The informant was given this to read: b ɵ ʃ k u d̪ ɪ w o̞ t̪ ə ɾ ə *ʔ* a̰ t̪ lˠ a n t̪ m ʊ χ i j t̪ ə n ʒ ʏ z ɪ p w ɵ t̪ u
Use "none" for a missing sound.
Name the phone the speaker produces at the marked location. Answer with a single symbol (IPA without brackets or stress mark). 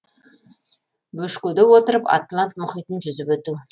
p